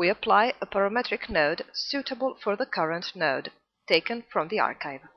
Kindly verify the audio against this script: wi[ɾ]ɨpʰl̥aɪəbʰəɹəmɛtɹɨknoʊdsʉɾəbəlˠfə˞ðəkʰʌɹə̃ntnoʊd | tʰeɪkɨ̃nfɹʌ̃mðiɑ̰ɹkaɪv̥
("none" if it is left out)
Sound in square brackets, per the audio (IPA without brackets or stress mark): none